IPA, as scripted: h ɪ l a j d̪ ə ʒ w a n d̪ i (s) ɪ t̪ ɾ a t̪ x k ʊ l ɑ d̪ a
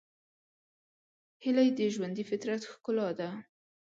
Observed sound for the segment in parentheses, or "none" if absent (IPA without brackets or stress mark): f